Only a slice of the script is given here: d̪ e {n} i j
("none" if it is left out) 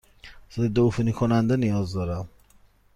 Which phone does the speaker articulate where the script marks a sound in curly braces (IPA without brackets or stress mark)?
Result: n